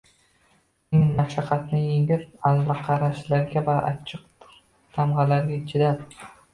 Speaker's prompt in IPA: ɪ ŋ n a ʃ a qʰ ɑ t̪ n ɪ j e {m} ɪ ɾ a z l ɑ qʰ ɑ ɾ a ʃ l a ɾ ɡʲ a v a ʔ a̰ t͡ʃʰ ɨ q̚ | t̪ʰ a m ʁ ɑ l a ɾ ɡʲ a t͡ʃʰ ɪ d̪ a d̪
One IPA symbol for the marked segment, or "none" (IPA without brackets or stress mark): ŋ